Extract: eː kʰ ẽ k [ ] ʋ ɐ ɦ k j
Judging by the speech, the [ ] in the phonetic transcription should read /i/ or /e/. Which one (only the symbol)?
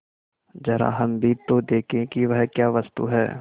i